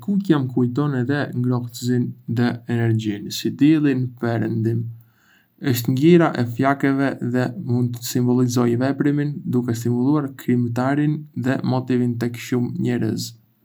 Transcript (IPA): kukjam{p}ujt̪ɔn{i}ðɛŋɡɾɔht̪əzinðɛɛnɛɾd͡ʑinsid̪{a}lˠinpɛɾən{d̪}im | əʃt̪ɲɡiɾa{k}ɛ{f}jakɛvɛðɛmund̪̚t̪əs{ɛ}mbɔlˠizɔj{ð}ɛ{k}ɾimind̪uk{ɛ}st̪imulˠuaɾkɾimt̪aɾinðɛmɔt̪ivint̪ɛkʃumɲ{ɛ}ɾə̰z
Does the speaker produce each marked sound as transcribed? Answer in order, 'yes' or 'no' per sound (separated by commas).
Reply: no, no, no, yes, no, yes, no, no, no, yes, yes